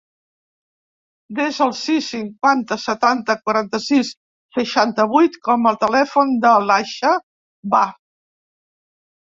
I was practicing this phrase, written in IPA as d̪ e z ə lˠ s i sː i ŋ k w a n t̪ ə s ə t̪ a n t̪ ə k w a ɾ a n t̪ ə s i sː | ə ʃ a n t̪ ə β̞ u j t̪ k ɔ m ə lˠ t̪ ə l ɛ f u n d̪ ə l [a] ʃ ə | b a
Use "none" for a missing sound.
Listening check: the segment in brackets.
a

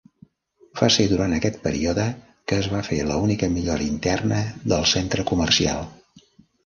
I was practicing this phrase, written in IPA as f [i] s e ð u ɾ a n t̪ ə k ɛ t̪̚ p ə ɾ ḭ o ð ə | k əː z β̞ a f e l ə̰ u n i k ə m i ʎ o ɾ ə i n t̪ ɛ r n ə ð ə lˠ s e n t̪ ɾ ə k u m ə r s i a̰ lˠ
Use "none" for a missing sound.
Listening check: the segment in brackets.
a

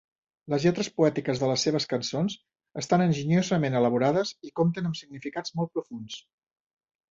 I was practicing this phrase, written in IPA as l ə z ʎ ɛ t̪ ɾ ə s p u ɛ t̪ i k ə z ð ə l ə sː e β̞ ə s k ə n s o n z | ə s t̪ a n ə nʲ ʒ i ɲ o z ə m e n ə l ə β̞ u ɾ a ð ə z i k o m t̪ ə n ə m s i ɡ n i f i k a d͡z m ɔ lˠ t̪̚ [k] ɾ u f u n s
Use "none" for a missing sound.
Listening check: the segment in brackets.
p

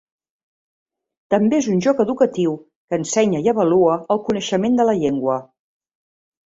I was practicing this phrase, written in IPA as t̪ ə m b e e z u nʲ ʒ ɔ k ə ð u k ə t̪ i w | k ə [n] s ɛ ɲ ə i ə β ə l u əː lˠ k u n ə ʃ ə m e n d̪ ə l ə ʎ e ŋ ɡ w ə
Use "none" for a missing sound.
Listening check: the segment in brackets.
n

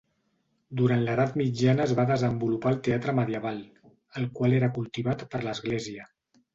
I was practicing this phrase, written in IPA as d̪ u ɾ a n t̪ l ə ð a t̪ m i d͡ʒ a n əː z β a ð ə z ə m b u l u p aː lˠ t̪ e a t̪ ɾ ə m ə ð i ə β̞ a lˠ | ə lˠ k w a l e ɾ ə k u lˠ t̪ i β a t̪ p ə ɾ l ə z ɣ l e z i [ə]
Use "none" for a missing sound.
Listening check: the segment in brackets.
ə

